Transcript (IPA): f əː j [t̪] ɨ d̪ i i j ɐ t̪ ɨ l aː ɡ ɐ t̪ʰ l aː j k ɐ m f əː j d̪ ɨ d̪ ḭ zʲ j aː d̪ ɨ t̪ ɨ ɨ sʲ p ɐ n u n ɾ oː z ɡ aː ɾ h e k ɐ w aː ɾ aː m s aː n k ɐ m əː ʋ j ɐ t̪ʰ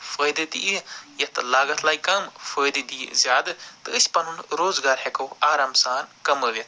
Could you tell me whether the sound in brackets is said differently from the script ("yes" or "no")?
yes